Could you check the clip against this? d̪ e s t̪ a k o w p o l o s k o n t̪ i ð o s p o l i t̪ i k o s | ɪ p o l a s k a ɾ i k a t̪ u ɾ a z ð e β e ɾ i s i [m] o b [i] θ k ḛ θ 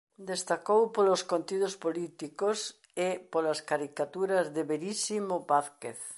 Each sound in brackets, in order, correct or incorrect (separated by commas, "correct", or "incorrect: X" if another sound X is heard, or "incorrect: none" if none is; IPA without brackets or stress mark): correct, incorrect: a